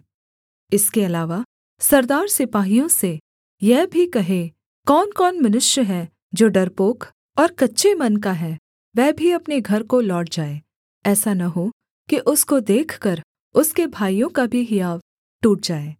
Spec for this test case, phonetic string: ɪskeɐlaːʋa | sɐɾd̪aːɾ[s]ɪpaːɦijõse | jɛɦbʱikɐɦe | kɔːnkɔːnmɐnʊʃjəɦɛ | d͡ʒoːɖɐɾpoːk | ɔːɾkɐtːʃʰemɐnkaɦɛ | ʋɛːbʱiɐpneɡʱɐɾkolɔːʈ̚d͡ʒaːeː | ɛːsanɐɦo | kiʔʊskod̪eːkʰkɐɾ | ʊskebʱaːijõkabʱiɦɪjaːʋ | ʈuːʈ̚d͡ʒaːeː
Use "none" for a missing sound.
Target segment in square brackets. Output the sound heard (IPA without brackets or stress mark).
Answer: s